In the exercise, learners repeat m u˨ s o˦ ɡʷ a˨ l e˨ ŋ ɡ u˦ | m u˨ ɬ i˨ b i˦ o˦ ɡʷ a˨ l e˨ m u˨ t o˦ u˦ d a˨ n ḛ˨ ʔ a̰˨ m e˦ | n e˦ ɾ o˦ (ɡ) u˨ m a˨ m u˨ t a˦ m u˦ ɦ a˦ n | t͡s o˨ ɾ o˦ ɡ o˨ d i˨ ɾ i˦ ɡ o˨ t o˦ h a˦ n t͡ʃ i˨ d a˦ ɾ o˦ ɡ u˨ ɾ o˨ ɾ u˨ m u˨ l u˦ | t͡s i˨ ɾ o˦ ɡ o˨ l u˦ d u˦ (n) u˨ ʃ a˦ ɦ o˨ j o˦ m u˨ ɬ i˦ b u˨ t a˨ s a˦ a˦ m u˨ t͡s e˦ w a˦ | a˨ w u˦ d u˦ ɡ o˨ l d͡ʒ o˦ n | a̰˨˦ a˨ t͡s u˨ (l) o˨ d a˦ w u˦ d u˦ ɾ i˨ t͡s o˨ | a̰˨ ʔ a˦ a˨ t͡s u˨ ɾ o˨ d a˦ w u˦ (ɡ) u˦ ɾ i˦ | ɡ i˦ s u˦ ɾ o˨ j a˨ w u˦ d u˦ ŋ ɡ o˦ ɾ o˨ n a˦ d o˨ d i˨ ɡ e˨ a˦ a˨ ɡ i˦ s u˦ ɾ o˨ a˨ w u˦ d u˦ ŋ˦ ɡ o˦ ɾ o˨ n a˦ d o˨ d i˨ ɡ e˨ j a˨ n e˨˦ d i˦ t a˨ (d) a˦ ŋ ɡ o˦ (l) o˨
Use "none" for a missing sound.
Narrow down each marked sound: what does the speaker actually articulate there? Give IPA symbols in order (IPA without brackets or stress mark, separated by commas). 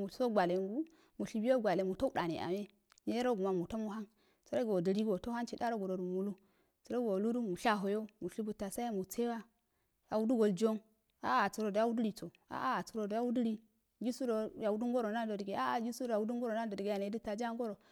ɡ, m, ɾ, d, d͡ʒ, ɾ